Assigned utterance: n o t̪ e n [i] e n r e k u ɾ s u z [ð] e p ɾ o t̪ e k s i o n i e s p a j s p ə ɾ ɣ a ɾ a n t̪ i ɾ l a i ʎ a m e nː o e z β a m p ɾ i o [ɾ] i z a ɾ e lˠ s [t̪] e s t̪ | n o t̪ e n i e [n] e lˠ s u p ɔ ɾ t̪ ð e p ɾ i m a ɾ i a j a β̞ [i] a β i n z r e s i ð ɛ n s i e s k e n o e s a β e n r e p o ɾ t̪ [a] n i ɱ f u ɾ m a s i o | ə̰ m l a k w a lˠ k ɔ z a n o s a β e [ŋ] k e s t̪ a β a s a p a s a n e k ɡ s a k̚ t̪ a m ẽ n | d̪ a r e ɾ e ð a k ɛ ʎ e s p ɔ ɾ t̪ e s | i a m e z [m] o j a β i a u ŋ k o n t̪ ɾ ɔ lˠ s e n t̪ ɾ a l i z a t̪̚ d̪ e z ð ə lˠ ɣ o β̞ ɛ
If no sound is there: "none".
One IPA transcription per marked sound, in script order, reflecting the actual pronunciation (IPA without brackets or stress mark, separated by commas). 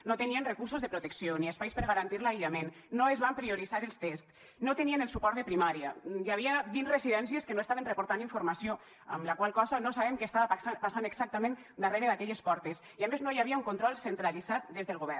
i, ð, ɾ, t̪, n, i, a, m, n